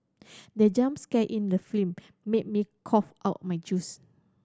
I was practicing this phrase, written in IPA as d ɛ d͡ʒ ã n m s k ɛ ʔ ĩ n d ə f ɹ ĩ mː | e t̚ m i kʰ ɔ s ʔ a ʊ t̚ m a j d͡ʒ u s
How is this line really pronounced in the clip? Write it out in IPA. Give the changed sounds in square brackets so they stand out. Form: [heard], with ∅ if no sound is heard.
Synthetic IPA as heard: d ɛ d͡ʒ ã [∅] m s k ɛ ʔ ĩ n d ə f [l] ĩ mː | e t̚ m i kʰ ɔ [f] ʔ a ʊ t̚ m a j d͡ʒ u s